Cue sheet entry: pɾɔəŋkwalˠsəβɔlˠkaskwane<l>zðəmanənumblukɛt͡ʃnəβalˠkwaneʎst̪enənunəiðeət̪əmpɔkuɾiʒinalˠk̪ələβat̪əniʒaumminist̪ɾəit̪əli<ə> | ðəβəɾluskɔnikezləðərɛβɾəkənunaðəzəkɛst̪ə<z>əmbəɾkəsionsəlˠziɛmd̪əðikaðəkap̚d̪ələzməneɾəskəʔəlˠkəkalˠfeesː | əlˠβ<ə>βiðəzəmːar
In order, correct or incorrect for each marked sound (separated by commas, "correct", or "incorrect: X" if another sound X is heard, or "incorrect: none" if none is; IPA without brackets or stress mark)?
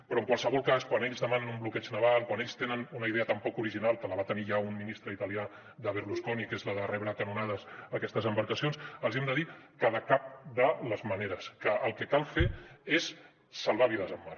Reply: incorrect: ʎ, incorrect: a, correct, incorrect: a